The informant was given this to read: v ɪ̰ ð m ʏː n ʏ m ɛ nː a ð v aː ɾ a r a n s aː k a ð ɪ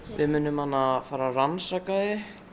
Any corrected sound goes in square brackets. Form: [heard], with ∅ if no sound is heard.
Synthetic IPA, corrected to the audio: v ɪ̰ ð m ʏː n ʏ m [a] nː a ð [f] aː ɾ a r a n s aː k a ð ɪ